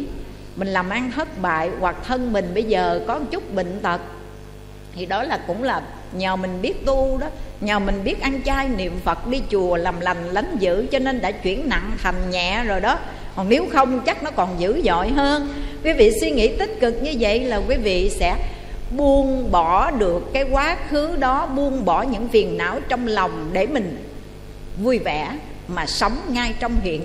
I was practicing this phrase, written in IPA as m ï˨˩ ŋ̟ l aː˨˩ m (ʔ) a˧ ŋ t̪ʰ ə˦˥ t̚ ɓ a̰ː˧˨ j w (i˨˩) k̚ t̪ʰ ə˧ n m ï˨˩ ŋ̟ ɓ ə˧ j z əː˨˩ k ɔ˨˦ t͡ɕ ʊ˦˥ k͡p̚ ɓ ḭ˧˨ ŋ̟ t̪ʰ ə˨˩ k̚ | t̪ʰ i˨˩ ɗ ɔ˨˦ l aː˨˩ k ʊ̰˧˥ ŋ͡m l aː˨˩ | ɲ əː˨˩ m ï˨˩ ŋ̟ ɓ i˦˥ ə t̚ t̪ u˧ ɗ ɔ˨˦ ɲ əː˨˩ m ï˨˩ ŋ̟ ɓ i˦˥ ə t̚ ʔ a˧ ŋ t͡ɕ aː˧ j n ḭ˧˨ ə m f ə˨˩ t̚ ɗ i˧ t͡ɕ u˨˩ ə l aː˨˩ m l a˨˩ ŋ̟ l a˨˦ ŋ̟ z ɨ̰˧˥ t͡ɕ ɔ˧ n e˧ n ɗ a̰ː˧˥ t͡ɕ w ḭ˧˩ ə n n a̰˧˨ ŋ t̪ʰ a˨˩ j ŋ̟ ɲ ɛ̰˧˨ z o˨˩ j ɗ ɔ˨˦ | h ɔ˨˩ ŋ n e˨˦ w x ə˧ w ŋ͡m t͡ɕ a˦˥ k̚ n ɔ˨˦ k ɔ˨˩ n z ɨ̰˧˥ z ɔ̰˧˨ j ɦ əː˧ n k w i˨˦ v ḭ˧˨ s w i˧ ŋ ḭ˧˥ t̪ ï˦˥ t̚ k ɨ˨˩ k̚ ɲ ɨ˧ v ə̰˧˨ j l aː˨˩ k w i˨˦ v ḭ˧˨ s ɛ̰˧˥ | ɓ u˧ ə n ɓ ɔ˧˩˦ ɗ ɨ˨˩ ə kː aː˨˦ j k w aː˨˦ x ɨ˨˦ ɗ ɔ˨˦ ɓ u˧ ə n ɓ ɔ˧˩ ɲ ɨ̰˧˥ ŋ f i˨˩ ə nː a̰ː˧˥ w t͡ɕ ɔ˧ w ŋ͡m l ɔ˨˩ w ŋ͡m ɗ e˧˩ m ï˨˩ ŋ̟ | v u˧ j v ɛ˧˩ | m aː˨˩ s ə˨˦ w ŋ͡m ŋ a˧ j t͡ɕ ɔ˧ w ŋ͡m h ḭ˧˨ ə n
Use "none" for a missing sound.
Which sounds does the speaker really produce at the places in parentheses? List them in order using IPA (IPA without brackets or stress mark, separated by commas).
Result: ʔ, a˨˩